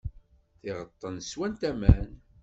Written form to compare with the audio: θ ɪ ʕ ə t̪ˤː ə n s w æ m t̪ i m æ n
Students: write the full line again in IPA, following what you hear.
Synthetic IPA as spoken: θ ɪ ʁ ə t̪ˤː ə n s w æ n t̪ æ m æ n

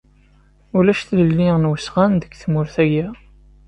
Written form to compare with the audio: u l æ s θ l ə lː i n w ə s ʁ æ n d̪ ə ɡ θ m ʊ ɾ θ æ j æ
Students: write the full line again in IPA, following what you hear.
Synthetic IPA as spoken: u l æ ʃ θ l ə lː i n w ə s ʁ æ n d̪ ə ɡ θ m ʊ ɾ θ æ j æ

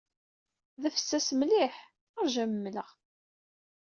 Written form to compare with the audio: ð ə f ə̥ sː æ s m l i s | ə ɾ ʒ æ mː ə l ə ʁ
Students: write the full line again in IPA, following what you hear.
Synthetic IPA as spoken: ð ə f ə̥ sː æ s m l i ħ | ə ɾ ʒ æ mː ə l ə ʁ

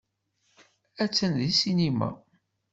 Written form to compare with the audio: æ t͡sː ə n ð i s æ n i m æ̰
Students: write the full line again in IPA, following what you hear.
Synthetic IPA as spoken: æ t͡sː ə n ð i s i n i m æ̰

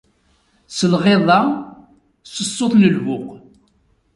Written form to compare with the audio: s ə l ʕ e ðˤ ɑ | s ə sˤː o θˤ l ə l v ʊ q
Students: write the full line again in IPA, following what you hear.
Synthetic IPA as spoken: s ə l ʁ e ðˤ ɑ | s ə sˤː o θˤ l ə l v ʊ q

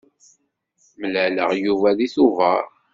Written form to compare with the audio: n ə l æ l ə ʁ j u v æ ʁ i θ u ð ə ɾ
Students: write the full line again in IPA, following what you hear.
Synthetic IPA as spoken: m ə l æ l ə ʁ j u v æ ð i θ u v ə ɾ

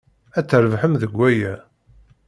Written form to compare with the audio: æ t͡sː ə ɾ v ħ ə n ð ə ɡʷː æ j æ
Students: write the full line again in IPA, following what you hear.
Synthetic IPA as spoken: æ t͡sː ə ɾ v ħ ə m ð ə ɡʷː æ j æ

